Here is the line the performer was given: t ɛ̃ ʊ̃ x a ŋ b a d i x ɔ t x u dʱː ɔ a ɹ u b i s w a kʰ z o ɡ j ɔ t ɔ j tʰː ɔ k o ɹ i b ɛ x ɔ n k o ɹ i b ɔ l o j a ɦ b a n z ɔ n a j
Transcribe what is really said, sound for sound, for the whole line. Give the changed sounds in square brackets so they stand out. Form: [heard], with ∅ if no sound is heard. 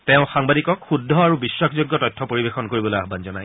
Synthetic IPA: t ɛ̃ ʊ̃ x a ŋ b a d i [k] ɔ [k] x u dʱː ɔ a ɹ u b i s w a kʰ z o ɡ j ɔ t ɔ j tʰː ɔ [p] o ɹ i b [e] x ɔ n k o ɹ i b ɔ l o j a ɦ b a n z ɔ n a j